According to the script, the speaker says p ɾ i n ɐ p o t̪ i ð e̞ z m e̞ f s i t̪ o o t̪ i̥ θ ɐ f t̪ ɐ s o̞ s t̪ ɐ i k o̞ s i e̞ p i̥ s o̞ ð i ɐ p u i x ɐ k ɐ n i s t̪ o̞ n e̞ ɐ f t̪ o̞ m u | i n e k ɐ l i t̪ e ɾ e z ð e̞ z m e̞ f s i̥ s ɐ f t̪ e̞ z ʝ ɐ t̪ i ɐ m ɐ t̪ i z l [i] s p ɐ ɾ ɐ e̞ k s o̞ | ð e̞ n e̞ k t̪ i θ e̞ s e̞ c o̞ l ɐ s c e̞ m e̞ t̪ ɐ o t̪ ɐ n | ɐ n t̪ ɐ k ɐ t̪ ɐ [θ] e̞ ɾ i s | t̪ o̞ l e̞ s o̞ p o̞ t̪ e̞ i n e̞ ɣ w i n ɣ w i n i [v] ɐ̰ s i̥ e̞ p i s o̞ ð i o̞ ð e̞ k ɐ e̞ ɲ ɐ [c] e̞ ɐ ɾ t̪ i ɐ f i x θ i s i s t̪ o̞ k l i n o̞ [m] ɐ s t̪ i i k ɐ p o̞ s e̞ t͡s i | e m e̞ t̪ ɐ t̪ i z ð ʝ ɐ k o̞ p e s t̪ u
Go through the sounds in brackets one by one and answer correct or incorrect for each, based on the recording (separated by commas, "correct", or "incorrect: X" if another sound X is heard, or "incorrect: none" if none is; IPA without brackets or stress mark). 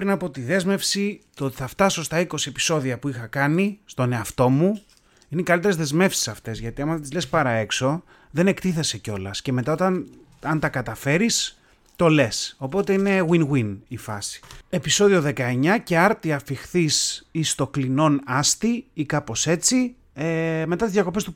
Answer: incorrect: e, incorrect: f, incorrect: f, correct, incorrect: n